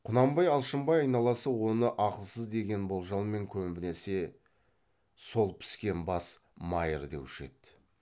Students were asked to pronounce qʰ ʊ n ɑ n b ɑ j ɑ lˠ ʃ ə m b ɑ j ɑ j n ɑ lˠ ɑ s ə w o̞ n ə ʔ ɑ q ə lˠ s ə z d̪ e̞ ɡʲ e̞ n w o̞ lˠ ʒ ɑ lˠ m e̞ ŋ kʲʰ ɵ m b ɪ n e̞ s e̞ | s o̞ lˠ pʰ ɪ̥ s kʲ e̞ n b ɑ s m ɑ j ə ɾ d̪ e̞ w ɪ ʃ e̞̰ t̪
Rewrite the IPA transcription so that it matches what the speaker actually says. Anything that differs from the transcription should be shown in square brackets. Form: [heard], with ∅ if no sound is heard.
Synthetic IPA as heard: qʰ ʊ n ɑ [m] b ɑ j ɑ lˠ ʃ ə m b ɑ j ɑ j n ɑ lˠ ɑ s ə w o̞ n ə ʔ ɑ q ə lˠ s ə z d̪ e̞ ɡʲ e̞ n [b] o̞ lˠ ʒ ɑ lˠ m e̞ ŋ kʲʰ ɵ m b ɪ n e̞ s e̞ | s o̞ lˠ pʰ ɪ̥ s kʲ e̞ n b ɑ s m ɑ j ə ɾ d̪ e̞ w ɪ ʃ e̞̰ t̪